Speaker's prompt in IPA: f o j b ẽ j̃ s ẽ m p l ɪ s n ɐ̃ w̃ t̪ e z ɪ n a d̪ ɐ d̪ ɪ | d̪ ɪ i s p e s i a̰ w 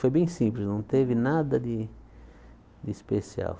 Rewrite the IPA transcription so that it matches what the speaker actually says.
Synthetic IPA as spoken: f o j b ẽ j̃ s ĩ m p l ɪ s n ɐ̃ w̃ t̪ e v ɪ n a d̪ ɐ d̪ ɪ | d̪ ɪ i s p e s i a̰ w